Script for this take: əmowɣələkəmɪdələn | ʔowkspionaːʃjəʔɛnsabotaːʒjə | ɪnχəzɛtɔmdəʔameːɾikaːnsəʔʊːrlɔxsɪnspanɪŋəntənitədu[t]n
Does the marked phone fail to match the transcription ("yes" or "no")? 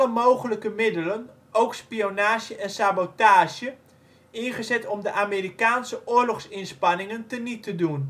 yes